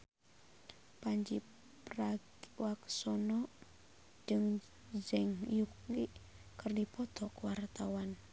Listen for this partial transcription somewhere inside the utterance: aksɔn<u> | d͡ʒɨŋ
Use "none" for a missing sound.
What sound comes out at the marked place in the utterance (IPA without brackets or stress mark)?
ɔ